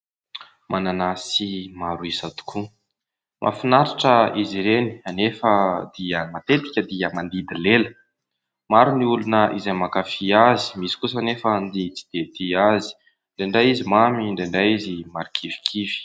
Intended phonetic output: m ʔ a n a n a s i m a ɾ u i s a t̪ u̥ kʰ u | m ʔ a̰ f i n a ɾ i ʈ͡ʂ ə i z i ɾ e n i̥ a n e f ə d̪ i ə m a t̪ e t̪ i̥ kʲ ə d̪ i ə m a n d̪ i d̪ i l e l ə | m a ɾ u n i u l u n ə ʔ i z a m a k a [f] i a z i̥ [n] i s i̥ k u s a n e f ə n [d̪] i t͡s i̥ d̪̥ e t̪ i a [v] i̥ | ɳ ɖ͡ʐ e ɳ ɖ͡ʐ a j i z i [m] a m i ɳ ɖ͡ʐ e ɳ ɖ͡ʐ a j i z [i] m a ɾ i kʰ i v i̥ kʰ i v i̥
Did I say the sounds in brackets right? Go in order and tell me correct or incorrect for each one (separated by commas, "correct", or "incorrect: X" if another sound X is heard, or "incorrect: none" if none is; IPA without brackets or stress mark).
correct, incorrect: m, correct, incorrect: z, correct, correct